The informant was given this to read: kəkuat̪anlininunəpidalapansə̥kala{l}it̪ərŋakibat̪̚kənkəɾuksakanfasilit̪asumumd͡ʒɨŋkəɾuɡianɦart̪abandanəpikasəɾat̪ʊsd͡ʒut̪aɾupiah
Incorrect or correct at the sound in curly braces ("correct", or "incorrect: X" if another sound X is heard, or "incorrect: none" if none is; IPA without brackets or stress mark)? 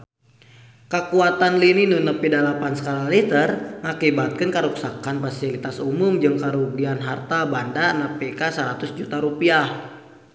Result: correct